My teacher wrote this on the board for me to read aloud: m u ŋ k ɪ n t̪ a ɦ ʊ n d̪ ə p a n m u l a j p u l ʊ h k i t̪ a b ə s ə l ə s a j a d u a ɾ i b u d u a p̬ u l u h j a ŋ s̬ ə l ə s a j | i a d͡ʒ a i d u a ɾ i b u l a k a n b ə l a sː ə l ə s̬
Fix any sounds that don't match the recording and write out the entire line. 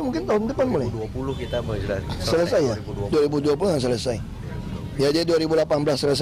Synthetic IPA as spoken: m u ŋ k ɪ n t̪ a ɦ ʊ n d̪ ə p a n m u l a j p u l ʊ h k i t̪ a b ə s ə l ə s a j a d u a ɾ i b u d u a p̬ u l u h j a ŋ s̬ ə l ə s a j | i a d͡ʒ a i d u a ɾ i b u l a p a n b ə l a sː ə l ə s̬